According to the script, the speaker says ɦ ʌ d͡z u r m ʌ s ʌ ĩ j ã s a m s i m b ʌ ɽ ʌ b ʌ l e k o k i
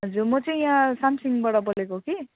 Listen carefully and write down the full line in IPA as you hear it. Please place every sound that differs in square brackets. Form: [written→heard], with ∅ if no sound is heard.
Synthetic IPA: ɦ ʌ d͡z u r m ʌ [s→t͡s] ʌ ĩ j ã s a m s i [m→ŋ] b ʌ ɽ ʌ b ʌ l e k o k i